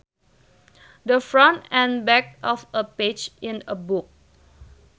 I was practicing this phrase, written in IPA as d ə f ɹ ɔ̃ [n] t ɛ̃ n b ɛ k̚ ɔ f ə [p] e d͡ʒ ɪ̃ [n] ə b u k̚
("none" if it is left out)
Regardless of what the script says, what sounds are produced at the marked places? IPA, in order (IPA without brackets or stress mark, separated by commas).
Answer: n, p, n